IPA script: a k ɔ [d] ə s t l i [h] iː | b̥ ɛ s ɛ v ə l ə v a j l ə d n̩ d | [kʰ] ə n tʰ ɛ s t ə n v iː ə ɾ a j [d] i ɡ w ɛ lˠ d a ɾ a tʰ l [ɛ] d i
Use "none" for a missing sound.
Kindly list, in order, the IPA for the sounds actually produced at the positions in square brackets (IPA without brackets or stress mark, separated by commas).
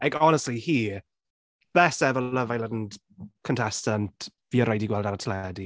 n, h, kʰ, d, ɛ